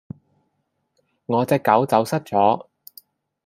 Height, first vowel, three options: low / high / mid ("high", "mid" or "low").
mid